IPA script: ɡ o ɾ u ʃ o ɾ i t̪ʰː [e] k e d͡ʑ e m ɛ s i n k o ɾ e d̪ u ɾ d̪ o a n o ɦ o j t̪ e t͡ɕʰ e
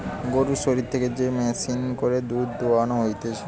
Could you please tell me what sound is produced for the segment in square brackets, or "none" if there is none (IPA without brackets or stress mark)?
e